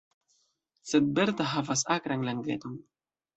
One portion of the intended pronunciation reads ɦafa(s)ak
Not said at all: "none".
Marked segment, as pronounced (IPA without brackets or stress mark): s